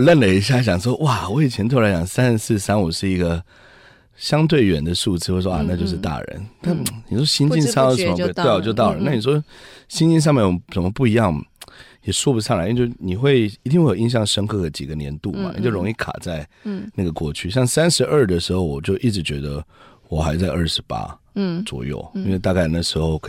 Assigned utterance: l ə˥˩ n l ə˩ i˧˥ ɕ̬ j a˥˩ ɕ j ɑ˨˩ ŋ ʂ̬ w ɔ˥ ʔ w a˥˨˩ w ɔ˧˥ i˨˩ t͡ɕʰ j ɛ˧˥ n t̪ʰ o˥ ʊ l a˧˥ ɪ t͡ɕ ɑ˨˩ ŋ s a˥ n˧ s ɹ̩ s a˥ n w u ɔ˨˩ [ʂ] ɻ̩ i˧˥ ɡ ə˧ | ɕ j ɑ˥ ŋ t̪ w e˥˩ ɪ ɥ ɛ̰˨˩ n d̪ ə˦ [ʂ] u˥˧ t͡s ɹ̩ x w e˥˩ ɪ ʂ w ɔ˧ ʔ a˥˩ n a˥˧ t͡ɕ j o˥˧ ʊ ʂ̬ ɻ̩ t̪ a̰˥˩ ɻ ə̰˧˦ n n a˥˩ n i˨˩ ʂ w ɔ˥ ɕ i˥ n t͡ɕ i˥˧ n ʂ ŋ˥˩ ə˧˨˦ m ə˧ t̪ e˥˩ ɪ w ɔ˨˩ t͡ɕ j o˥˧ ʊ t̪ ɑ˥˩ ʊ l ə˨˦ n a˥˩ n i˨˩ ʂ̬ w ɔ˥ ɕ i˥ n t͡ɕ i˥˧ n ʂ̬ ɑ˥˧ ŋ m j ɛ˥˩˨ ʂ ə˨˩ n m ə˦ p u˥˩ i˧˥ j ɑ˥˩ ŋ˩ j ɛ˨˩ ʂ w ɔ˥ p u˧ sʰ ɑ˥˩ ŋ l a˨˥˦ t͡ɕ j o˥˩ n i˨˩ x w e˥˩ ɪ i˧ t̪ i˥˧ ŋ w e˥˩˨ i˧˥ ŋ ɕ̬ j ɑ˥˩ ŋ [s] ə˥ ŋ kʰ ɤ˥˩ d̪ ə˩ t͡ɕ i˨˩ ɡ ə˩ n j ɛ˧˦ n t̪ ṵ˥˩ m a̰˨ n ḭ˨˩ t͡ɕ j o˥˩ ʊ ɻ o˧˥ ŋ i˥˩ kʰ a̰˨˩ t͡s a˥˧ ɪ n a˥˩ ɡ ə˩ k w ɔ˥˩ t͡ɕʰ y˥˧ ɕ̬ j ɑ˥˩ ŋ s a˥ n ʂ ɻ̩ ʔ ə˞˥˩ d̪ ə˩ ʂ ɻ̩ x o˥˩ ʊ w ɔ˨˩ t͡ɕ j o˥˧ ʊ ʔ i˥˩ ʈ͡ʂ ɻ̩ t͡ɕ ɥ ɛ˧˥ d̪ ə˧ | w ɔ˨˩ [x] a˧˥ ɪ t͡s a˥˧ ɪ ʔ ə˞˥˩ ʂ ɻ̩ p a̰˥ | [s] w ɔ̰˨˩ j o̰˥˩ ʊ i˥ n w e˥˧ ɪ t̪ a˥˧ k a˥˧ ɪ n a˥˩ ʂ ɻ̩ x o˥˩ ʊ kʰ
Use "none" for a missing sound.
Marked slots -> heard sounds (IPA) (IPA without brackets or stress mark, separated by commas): ʂ, ʂ, ʂ, x, t͡s